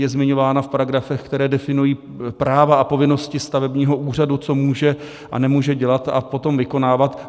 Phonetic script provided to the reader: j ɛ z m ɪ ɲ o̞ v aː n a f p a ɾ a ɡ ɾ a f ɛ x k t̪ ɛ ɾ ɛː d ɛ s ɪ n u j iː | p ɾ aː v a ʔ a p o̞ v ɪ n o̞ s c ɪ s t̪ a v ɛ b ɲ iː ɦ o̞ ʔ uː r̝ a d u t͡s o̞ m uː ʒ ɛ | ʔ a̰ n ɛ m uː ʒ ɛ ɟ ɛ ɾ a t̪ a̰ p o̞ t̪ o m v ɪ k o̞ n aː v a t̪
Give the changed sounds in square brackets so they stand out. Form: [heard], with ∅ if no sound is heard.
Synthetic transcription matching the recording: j ɛ z m ɪ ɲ o̞ v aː n a f p a ɾ a ɡ ɾ a f ɛ x k t̪ ɛ ɾ ɛː d ɛ [f] ɪ n u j iː | p ɾ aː v a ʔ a p o̞ v ɪ n o̞ s c ɪ s t̪ a v ɛ b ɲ iː ɦ o̞ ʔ uː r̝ a d u t͡s o̞ m uː ʒ ɛ | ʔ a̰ n ɛ m uː ʒ ɛ ɟ ɛ [l] a t̪ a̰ p o̞ t̪ o m v ɪ k o̞ n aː v a t̪